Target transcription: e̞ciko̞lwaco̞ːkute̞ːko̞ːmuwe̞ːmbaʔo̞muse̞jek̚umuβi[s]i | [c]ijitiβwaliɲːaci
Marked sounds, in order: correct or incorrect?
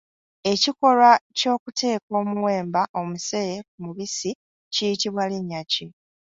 correct, correct

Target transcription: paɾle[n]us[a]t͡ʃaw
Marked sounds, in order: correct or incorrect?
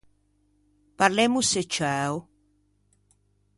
incorrect, incorrect

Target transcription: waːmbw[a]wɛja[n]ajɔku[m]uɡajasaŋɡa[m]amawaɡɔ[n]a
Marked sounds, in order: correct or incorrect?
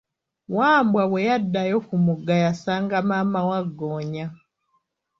correct, incorrect, correct, correct, incorrect

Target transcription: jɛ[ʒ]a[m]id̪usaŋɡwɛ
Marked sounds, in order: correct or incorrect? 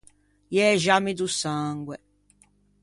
correct, correct

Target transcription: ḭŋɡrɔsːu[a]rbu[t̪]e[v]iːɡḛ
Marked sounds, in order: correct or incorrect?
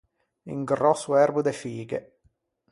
incorrect, incorrect, incorrect

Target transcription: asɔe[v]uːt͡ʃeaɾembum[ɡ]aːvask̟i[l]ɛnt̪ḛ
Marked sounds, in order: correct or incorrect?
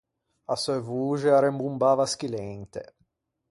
correct, incorrect, correct

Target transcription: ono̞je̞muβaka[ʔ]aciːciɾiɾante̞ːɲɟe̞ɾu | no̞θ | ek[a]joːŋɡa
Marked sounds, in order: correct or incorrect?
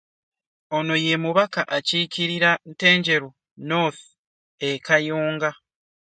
correct, correct

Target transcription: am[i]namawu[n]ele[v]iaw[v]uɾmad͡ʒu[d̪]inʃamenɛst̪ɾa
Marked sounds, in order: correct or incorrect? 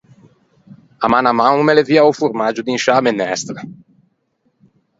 incorrect, incorrect, correct, incorrect, correct

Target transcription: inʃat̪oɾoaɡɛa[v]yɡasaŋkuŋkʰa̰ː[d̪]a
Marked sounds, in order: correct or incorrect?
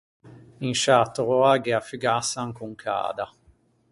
incorrect, correct

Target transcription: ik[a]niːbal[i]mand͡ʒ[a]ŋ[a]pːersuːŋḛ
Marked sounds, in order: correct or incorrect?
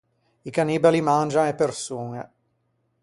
correct, correct, correct, incorrect

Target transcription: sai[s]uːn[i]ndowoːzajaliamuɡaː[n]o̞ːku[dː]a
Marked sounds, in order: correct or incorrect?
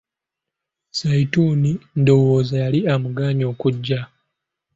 incorrect, correct, incorrect, incorrect

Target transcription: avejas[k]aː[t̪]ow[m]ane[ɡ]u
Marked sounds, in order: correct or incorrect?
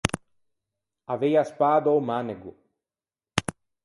incorrect, incorrect, correct, correct

